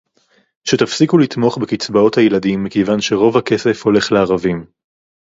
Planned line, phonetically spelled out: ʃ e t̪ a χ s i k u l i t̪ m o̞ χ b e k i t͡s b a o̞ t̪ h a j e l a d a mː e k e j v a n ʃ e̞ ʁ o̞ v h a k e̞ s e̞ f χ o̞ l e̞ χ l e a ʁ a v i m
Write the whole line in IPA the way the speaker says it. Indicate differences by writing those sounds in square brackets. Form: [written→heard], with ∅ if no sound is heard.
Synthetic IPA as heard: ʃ e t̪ a [χ→f] s i k u l i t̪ m o̞ χ b e k i t͡s b a o̞ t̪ h a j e l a d [a→i] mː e k e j v a n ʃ e̞ ʁ o̞ v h a k e̞ s e̞ f [χ→h] o̞ l e̞ χ l e a ʁ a v i m